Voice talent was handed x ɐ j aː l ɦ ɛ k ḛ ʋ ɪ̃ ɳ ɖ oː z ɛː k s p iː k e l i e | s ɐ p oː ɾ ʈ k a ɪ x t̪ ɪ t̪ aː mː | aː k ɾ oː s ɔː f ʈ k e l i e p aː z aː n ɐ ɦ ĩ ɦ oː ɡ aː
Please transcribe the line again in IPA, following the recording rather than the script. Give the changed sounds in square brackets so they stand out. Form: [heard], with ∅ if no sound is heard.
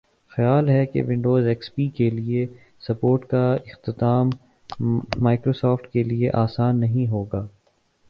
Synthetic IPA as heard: x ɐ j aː l ɦ ɛ k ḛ ʋ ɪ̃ ɳ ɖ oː z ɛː k s p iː k e l i e | s ɐ p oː ɾ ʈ k a ɪ x t̪ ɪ t̪ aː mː | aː k ɾ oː s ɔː f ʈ k e l i e [ʔ] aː [s] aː [nː] ɐ ɦ ĩ ɦ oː ɡ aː